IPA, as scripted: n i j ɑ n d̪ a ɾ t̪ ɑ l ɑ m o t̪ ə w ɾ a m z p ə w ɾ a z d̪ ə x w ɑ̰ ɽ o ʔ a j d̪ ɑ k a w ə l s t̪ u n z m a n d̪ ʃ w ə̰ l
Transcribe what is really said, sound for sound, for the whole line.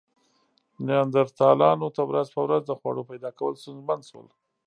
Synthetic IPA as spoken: n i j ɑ n d̪ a ɾ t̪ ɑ l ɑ n o t̪ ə w ɾ a z p ə w ɾ a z d̪ ə x w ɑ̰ ɽ o p a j d̪ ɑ k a w ə l s t̪ u n z m a n d̪ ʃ w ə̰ l